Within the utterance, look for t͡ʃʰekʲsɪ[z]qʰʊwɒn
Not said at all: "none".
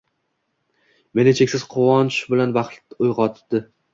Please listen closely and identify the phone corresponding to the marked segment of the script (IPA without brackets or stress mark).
z